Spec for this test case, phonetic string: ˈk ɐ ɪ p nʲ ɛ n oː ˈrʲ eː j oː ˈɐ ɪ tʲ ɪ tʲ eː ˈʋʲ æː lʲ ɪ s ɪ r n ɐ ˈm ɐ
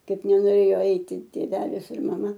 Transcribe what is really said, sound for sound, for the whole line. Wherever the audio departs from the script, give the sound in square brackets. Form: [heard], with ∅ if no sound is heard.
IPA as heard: ˈk ɐ ɪ p nʲ ɛ n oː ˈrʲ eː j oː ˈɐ ɪ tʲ ɪ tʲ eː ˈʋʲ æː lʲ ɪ s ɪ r [m] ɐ ˈm ɐ